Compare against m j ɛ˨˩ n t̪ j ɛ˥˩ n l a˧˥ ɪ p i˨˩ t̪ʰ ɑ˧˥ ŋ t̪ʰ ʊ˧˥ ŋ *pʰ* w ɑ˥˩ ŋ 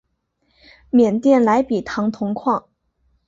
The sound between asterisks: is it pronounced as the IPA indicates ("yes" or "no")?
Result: no